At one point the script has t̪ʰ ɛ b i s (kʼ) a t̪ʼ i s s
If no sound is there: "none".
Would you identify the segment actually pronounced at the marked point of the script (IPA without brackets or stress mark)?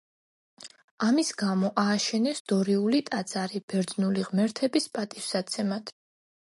pʼ